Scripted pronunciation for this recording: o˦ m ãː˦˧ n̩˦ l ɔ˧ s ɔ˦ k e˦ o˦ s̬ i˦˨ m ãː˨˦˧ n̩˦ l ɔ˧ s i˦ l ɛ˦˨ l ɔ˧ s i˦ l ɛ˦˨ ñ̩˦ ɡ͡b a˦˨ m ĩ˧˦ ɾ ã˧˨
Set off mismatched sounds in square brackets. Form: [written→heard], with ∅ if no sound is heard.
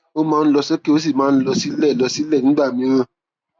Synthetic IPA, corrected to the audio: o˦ m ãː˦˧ n̩˦ l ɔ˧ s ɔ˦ k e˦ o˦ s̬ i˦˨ m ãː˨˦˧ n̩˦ l ɔ˧ s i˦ l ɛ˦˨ l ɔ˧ s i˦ l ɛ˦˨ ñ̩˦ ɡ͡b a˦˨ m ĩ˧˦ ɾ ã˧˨